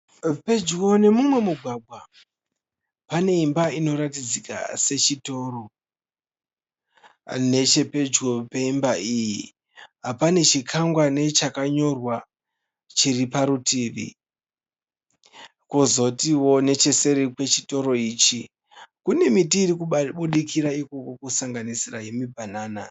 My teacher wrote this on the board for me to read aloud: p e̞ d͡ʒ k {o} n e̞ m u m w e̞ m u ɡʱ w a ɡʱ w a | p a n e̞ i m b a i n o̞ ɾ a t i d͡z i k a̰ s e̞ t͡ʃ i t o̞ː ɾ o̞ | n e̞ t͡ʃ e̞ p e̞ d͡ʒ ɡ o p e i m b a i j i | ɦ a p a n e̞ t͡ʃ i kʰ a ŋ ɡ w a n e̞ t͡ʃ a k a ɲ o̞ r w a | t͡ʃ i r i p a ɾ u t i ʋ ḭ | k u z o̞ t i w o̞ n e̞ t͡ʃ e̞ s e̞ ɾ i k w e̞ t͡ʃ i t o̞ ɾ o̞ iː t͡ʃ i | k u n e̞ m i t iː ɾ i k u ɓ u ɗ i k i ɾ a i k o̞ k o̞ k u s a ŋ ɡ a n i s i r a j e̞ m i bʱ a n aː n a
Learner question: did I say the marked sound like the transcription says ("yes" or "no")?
yes